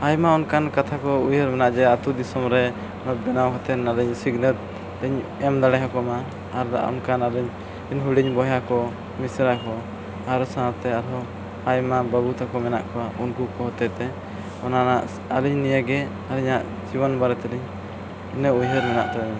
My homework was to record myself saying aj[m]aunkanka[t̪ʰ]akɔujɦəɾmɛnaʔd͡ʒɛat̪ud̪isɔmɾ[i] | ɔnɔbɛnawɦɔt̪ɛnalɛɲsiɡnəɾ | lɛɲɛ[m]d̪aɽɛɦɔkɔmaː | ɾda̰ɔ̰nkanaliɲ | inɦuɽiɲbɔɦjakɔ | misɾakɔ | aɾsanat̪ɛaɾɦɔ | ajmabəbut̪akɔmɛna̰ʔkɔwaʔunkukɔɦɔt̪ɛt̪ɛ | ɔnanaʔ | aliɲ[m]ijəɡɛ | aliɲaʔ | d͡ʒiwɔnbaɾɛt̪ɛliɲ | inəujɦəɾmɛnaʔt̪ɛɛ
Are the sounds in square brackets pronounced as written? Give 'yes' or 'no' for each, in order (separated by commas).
yes, yes, no, yes, no